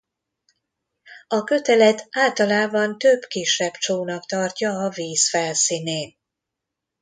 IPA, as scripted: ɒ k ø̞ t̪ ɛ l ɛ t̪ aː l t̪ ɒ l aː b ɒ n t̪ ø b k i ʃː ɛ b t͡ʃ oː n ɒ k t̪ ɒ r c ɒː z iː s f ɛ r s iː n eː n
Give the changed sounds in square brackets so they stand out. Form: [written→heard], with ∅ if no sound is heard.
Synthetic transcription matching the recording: ɒ k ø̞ t̪ ɛ l ɛ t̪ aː l t̪ ɒ l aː b ɒ n t̪ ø b k i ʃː ɛ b t͡ʃ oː n ɒ k t̪ ɒ r c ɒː [z→v] iː s f ɛ [r→l] s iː n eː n